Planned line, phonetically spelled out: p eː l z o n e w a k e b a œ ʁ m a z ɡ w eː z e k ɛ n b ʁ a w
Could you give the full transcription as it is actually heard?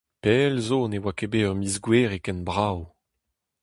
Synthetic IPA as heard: p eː l z o n e w a k e b e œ ʁ m i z ɡ w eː ʁ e k ɛ n b ʁ a w